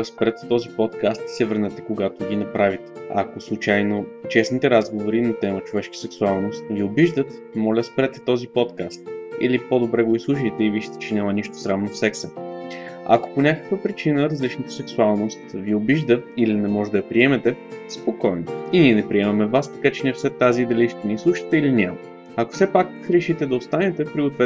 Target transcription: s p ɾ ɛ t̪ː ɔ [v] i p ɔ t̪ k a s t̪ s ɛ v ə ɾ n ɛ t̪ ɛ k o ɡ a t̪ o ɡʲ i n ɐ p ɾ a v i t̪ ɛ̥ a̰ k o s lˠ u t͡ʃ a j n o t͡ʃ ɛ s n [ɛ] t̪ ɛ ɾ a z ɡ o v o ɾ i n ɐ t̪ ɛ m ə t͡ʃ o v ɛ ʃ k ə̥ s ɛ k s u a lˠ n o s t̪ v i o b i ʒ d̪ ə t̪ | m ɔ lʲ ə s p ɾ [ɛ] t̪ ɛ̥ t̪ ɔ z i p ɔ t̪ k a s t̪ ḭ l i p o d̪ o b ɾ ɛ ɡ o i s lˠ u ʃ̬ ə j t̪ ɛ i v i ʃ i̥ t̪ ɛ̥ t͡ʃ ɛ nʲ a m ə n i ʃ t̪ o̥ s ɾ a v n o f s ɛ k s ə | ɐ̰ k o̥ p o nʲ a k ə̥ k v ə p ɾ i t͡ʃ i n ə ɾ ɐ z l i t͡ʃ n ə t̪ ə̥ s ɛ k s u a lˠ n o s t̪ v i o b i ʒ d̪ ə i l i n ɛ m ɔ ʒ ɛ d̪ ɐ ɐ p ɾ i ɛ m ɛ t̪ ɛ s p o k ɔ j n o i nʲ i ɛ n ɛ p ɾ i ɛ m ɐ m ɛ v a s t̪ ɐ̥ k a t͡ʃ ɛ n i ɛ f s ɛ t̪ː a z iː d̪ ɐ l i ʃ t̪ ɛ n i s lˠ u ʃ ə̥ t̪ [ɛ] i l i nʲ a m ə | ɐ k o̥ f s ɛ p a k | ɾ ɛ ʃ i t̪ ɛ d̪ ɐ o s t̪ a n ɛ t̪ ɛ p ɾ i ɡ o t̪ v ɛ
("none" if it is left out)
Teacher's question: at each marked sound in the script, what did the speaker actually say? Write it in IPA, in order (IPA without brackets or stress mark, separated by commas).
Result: z, i, ɛ, ɛ